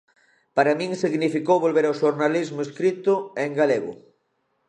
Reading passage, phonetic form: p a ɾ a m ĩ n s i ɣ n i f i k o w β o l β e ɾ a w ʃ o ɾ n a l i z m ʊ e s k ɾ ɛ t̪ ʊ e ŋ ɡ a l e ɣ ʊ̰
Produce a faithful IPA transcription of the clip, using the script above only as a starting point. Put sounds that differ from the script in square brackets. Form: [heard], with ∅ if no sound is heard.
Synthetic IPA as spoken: p a ɾ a m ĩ [ŋ] s i ɣ n i f i k o w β o l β e ɾ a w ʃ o ɾ n a l i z m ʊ e s k ɾ [i] t̪ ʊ e ŋ ɡ a l e ɣ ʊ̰